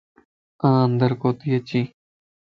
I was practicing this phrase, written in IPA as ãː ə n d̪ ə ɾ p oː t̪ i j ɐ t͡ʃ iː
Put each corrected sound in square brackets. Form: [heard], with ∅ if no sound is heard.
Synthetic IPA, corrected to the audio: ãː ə n d̪ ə ɾ [k] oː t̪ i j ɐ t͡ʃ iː